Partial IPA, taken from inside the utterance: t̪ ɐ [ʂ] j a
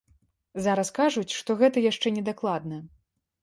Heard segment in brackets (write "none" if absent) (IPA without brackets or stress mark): none